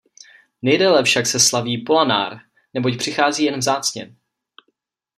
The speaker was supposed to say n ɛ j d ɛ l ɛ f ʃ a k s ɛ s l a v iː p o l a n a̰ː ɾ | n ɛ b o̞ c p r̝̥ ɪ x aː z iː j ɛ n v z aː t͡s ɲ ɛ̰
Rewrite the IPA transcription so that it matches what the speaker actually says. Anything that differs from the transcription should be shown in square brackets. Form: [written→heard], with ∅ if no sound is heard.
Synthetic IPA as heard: n ɛ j d ɛ l ɛ f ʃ a k s ɛ s l a v iː p o l a n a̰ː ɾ | n ɛ b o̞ c p r̝̥ ɪ x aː z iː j ɛ n v z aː t͡s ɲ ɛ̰